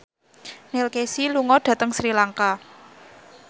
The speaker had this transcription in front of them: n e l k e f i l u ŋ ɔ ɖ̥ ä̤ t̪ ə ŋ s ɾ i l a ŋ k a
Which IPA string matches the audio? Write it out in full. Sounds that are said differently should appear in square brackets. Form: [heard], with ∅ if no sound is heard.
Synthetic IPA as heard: n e l k e [s] i l u ŋ ɔ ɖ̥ ä̤ t̪ ə ŋ s ɾ i l a ŋ k a